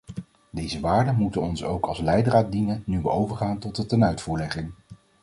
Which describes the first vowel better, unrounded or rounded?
unrounded